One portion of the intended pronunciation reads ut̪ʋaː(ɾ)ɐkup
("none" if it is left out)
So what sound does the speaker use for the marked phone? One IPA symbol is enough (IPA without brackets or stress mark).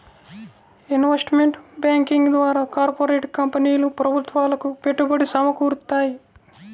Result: l